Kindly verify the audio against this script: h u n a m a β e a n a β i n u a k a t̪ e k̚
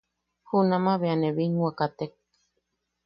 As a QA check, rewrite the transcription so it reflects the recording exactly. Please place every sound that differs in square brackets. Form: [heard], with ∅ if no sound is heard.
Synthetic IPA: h u n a m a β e a n [e] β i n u a k a t̪ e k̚